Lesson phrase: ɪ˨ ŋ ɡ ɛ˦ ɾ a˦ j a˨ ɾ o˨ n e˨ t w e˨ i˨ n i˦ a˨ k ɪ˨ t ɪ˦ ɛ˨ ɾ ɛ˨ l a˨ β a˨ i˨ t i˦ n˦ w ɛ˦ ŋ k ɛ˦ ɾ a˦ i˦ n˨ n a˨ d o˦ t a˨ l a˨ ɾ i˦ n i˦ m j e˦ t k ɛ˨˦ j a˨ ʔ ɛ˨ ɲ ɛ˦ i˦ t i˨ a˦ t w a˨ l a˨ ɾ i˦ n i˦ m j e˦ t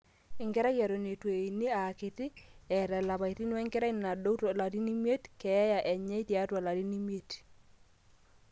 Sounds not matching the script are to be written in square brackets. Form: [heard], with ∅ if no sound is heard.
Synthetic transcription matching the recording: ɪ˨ ŋ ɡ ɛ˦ ɾ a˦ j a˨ ɾ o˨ n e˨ t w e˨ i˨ n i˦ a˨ k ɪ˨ t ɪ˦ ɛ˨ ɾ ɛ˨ l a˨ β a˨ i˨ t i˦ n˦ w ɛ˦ ŋ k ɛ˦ ɾ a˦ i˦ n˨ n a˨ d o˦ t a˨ l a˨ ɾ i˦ n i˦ m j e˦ t k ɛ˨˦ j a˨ ʔ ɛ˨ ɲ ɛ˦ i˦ t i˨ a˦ t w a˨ l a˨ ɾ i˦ n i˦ m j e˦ t

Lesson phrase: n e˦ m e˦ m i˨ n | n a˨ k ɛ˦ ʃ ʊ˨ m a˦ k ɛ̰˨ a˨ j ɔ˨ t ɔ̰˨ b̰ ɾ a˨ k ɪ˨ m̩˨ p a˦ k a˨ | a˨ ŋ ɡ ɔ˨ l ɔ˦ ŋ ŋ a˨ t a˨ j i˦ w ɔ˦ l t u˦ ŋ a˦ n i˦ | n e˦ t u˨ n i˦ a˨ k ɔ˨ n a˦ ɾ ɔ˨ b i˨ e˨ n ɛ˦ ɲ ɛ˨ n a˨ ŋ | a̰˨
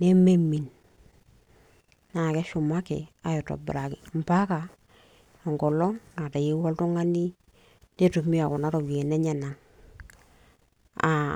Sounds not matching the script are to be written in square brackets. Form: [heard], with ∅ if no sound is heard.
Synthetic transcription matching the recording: n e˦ m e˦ m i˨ n | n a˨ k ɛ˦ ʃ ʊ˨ m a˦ k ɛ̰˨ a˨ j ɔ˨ t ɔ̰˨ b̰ ɾ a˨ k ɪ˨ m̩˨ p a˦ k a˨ | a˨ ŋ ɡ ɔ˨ l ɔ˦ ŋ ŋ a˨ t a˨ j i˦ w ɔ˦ l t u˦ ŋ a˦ n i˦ | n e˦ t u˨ [m] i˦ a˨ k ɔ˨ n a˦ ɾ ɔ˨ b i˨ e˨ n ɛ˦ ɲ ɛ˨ n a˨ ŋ | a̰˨

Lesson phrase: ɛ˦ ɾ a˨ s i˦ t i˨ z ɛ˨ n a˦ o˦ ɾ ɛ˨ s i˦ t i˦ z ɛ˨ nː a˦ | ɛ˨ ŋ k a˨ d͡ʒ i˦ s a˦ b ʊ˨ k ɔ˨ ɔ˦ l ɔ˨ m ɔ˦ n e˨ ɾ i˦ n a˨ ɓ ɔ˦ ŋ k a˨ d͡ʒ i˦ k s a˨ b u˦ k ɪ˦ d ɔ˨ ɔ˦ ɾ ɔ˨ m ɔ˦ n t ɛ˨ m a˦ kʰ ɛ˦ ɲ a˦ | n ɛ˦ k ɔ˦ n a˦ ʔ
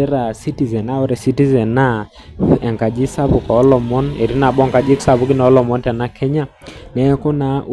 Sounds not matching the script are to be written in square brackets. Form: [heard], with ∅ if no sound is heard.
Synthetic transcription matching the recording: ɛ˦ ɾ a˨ s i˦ t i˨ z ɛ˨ n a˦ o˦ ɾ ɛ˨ s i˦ t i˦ z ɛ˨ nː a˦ | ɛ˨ ŋ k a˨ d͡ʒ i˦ s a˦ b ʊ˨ k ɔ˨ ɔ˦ l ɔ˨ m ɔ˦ n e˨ ɾ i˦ n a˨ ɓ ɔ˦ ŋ k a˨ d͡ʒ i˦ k s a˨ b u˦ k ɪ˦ [n] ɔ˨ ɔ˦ [l] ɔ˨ m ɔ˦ n t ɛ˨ [n] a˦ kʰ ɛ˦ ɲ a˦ | n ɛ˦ k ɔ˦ n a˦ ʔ

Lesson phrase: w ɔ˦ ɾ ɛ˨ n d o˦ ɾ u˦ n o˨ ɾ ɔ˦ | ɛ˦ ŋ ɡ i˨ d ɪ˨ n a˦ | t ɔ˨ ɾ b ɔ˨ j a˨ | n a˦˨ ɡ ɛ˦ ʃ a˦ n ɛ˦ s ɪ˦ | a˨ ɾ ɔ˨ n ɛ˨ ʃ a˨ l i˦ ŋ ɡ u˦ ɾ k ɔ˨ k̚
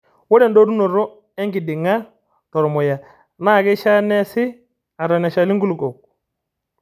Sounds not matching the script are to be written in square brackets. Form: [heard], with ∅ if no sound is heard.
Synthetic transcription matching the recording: w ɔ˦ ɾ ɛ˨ n d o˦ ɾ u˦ n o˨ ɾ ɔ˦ | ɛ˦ ŋ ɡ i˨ d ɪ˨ [ŋ] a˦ | t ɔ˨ ɾ [m] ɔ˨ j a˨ | n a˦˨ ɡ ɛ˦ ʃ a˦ n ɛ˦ s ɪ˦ | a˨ ɾ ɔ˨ n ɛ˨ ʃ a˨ l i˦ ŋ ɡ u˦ [l] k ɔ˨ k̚

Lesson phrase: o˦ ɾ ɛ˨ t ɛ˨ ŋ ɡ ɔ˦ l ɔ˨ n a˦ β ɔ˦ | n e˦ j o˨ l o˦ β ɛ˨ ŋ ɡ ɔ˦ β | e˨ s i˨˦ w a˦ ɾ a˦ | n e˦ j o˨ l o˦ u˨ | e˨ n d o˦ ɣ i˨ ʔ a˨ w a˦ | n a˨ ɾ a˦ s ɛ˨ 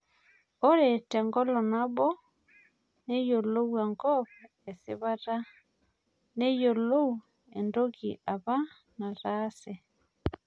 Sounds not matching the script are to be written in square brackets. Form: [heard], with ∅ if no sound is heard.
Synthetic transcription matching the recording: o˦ ɾ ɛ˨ t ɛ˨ ŋ ɡ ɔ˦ l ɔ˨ n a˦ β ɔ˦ | n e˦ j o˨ l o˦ [w] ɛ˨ ŋ ɡ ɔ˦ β | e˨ s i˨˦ [β] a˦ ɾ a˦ | n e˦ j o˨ l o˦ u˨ | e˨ n d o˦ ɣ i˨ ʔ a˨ [β] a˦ | n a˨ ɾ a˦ s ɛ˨

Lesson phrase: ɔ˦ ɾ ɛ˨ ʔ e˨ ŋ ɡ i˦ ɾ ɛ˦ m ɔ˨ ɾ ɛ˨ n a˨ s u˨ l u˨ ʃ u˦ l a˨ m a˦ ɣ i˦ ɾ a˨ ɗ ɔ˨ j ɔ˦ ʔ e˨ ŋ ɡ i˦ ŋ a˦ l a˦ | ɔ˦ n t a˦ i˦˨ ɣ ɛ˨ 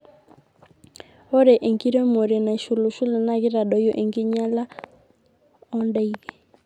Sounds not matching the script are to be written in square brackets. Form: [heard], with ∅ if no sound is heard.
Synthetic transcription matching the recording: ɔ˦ ɾ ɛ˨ ʔ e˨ ŋ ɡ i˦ ɾ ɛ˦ m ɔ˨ ɾ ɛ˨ n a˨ [ʃ] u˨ l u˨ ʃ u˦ l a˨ [n] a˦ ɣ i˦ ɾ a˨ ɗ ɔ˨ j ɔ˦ ʔ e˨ ŋ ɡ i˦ [ɲ] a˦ l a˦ | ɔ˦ n [d] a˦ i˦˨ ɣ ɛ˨

